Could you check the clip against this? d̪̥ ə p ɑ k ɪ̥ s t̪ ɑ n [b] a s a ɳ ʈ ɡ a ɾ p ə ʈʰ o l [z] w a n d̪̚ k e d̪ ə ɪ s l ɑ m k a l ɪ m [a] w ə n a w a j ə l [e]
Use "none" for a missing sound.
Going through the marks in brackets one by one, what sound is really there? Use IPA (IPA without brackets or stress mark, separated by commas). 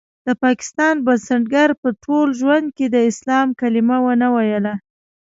b, ʒ, a, a